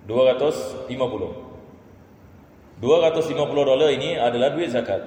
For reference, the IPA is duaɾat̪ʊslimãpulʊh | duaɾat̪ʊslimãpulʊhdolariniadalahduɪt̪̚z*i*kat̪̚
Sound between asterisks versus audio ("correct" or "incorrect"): incorrect